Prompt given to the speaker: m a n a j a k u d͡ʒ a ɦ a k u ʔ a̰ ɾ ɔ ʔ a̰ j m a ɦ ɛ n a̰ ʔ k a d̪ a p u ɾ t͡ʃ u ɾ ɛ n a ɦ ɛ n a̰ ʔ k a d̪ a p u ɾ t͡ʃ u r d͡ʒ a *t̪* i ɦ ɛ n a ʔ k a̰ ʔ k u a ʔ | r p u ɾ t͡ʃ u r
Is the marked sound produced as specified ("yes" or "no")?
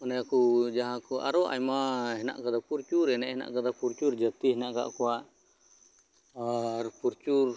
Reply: yes